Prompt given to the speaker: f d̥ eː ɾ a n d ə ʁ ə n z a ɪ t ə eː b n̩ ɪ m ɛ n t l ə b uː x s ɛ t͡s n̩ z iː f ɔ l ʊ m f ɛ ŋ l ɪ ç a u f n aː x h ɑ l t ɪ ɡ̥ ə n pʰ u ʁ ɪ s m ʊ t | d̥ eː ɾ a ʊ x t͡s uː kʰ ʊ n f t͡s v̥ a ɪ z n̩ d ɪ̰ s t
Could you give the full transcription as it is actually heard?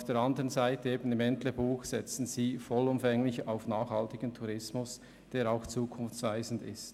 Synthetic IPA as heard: f d̥ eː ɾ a n d ə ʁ ə n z a ɪ t ə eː b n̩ ɪ m ɛ n t l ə b uː x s ɛ t͡s n̩ z iː f ɔ l ʊ m f ɛ ŋ l ɪ ç a ʊ f n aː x h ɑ l t ɪ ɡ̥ ə n tʰ u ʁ ɪ s m ʊ s | d̥ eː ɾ a ʊ x t͡s uː kʰ ʊ n f t͡s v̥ a ɪ z n̩ d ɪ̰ s t